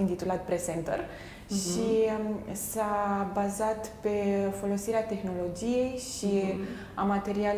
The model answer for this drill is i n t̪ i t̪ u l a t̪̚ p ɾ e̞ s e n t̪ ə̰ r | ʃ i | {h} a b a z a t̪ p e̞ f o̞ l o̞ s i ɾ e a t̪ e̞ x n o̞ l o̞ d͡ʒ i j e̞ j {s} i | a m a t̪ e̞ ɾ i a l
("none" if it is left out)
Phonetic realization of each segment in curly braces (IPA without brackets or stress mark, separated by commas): s, ʃ